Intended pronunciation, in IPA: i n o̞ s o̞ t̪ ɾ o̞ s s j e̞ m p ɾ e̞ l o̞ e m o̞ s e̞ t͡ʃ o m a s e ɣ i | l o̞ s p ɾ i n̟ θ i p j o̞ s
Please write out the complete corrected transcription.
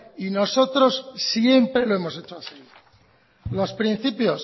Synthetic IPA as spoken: i n o̞ s o̞ t̪ ɾ o̞ s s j e̞ m p ɾ e̞ l o̞ e m o̞ s e̞ t͡ʃ o a s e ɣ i | l o̞ s p ɾ i n̟ θ i p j o̞ s